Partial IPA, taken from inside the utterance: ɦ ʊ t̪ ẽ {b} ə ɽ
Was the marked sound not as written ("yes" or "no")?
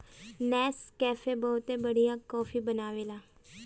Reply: no